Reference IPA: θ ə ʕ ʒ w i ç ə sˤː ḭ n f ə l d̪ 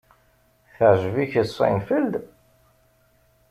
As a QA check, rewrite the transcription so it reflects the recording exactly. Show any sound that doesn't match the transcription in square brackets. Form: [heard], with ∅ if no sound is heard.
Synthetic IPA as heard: θ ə ʕ ʒ [v] i ç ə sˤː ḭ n f ə l d̪